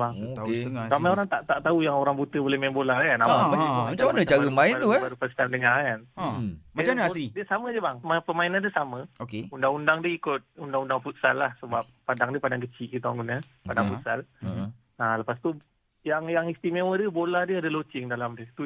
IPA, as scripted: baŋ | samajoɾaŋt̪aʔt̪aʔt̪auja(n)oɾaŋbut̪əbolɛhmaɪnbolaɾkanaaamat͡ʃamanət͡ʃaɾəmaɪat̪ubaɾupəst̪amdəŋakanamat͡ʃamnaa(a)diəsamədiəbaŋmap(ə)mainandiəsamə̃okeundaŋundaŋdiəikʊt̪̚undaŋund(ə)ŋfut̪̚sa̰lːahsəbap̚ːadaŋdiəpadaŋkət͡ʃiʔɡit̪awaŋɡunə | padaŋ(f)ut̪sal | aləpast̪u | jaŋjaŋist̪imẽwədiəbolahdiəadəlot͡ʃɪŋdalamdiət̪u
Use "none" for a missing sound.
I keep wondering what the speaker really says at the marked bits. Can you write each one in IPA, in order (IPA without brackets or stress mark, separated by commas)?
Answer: ŋ, i, ə, a, f